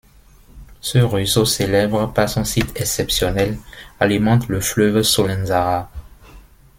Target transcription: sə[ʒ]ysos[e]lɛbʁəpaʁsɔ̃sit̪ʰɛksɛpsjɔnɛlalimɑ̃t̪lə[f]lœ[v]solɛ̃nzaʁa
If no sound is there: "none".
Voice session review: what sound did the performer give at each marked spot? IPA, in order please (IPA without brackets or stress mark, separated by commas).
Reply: ʁ, e, f, v